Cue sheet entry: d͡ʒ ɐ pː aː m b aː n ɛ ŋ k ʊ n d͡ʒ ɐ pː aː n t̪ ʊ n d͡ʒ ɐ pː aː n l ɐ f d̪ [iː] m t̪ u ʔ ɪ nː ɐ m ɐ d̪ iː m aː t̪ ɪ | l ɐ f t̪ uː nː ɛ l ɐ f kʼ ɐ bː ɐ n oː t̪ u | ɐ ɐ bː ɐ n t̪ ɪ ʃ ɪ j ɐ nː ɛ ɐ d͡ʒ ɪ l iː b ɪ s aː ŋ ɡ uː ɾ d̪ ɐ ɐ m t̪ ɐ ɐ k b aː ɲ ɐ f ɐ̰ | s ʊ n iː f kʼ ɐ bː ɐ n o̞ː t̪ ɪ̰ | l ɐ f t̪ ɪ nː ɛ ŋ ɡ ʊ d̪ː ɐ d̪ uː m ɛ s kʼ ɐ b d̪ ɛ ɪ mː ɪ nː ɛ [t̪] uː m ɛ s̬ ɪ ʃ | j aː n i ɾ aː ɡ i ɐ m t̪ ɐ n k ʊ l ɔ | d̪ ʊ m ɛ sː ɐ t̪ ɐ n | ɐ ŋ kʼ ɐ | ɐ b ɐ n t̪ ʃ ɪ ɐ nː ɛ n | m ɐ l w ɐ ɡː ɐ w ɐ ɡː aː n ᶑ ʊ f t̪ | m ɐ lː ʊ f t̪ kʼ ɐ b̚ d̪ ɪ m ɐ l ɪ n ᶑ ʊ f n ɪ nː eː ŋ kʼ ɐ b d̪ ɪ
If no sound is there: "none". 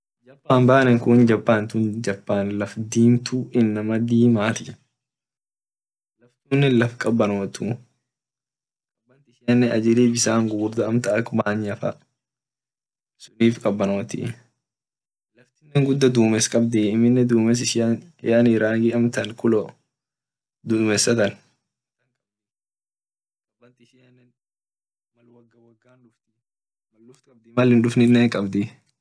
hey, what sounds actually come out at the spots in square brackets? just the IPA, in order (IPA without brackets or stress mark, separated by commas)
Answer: iː, d̪